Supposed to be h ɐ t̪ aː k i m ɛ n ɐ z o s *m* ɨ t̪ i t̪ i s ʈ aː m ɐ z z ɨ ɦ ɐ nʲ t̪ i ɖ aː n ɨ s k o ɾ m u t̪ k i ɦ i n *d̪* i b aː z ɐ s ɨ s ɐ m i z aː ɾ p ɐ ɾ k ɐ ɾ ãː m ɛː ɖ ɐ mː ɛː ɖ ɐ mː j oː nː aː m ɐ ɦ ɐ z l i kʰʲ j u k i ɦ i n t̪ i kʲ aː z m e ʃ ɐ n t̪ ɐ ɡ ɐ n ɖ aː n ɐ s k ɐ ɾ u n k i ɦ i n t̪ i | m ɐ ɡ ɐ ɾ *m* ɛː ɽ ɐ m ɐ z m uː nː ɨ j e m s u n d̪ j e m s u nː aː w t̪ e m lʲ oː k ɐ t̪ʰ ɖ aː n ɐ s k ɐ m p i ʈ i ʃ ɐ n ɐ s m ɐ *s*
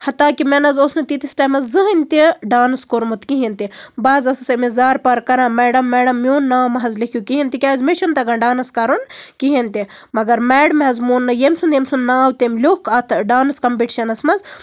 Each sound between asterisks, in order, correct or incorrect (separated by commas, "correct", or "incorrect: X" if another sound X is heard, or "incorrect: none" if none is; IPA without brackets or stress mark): incorrect: n, incorrect: t̪, correct, incorrect: z